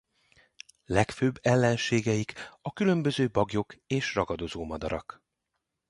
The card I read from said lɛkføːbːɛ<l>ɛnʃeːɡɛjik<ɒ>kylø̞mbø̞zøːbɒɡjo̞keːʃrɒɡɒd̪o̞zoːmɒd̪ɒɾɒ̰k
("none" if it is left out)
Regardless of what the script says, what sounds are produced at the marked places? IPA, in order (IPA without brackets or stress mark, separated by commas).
lː, ɒ